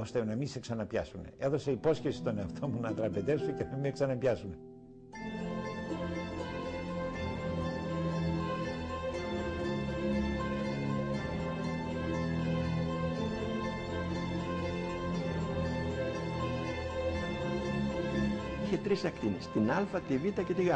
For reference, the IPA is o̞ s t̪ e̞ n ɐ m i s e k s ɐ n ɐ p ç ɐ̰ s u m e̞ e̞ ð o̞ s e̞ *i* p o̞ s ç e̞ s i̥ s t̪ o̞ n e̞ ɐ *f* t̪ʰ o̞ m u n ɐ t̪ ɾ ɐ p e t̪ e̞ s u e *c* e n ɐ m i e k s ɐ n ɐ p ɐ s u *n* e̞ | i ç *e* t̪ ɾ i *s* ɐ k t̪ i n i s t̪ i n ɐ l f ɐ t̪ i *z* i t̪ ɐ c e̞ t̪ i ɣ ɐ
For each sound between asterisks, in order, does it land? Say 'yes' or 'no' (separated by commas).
yes, yes, yes, no, yes, yes, no